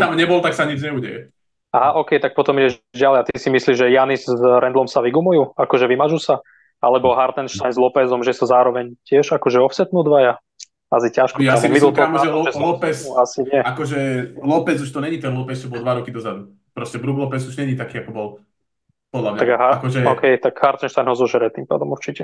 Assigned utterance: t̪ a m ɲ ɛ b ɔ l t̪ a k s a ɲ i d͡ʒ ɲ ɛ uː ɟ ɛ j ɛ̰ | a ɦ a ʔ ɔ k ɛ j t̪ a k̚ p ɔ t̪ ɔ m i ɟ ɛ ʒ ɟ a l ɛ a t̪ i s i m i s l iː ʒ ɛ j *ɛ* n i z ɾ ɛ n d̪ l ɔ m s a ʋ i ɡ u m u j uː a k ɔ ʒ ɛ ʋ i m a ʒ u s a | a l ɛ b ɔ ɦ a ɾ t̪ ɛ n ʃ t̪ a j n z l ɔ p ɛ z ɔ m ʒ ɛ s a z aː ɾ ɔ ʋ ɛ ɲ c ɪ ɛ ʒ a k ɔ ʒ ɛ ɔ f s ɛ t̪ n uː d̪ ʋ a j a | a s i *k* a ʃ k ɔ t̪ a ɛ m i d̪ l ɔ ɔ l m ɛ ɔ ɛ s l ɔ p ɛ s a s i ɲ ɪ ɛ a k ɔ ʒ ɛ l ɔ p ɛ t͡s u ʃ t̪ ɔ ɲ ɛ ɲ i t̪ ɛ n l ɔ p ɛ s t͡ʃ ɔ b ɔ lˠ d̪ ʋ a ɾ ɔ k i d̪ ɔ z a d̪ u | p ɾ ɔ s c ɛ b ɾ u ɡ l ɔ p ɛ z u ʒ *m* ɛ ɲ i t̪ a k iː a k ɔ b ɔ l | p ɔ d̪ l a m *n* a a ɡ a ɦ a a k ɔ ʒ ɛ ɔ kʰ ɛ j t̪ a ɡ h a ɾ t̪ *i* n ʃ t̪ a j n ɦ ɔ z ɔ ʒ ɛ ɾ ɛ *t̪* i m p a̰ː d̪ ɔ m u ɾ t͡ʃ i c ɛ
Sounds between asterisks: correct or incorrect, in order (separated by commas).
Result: incorrect, incorrect, incorrect, incorrect, incorrect, correct